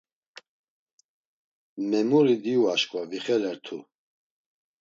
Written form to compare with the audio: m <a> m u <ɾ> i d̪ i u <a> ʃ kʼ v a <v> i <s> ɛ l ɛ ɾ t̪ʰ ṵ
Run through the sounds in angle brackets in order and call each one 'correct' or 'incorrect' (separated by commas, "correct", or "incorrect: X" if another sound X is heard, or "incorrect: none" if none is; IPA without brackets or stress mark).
incorrect: ɛ, correct, correct, correct, incorrect: χ